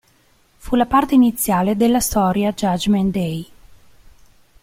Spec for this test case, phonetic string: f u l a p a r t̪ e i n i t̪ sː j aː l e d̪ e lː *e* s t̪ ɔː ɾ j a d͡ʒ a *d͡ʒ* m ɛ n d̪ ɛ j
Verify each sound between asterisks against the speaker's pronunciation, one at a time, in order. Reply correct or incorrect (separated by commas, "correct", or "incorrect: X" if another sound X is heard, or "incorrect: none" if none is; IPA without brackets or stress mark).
incorrect: a, correct